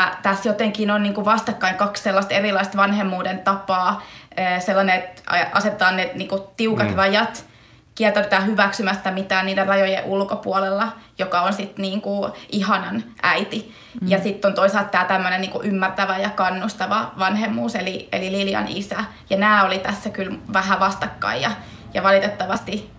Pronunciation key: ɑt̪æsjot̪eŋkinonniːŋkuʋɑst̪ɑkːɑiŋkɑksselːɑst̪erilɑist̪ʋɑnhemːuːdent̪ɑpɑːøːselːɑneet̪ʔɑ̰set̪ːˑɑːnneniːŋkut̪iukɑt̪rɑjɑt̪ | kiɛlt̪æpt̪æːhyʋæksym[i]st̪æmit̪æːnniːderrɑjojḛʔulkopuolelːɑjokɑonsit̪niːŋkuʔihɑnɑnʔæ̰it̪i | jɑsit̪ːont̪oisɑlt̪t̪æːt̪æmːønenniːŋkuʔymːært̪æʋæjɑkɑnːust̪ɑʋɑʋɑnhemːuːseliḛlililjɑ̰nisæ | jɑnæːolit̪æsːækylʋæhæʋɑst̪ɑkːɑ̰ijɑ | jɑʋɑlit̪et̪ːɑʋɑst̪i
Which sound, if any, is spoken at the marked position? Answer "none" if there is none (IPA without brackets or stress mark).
æ